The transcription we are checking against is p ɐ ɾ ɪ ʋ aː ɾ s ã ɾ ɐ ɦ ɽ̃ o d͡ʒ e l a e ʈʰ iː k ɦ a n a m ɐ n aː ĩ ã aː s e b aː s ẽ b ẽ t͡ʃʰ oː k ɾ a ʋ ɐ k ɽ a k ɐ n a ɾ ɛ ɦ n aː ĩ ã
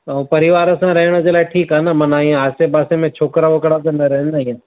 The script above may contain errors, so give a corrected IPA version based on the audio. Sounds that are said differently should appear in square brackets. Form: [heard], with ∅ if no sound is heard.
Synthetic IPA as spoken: p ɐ ɾ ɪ ʋ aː ɾ s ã ɾ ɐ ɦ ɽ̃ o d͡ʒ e l a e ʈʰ iː k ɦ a n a m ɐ n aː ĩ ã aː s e b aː s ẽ [m] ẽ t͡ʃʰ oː k ɾ a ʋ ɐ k ɽ a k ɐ n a ɾ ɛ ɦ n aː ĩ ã